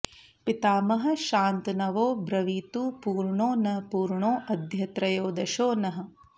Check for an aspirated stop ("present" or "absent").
absent